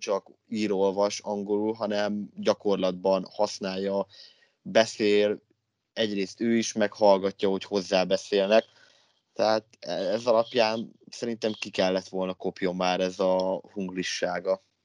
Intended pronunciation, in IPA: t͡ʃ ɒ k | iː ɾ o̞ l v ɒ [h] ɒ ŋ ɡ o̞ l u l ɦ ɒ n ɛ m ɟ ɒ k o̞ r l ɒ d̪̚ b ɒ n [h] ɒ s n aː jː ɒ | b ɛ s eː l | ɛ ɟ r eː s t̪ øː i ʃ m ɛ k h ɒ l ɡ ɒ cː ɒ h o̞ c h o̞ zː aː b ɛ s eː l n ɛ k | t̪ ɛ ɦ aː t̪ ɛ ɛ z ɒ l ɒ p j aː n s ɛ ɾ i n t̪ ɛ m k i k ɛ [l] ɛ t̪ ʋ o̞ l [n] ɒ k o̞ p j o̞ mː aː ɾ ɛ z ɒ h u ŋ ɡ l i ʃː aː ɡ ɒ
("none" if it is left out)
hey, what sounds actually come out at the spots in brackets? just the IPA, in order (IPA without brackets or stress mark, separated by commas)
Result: ʃ, h, lː, n